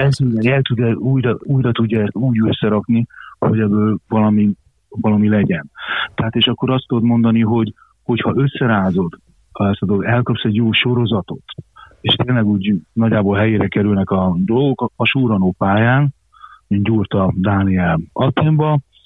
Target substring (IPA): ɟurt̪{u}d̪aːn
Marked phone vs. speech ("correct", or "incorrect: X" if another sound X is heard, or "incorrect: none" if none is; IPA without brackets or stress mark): incorrect: ɒ